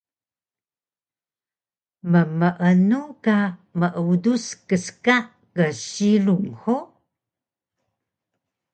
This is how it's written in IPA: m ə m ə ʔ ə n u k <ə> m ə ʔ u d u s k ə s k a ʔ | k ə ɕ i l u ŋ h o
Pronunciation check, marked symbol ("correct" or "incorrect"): incorrect